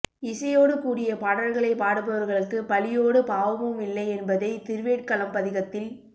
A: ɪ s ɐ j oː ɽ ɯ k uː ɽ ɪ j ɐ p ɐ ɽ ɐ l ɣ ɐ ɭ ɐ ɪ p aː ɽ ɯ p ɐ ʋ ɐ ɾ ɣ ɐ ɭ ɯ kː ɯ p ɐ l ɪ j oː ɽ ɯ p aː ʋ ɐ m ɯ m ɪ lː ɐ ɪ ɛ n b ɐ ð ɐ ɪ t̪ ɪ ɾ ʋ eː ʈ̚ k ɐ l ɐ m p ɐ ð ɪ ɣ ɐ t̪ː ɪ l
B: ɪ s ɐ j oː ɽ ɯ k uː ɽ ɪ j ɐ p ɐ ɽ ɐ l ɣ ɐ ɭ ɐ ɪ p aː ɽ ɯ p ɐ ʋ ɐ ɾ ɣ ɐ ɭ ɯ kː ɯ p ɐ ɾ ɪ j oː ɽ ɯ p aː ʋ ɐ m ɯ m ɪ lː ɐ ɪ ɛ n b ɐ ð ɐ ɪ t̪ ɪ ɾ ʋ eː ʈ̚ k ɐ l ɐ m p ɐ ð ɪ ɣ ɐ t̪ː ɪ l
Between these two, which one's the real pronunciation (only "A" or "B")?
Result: A